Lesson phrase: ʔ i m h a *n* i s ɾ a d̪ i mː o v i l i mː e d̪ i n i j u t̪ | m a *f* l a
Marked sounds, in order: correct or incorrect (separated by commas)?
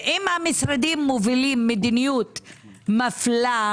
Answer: incorrect, correct